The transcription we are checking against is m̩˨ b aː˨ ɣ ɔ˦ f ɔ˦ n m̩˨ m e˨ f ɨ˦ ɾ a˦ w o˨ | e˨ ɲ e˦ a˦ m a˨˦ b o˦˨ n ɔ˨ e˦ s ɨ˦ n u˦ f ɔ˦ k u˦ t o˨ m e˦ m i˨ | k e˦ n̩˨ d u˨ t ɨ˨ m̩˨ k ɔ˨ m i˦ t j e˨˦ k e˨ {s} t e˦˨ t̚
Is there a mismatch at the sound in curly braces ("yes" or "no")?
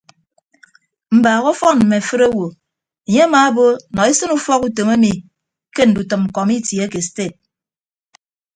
no